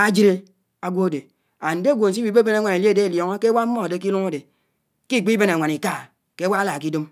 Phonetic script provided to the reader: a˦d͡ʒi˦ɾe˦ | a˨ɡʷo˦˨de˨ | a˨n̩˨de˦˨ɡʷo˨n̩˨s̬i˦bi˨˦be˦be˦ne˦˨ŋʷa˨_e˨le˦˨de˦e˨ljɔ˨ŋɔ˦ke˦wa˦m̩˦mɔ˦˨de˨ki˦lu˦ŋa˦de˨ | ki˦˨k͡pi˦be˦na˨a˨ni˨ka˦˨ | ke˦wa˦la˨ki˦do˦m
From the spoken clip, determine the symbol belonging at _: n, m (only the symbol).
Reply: n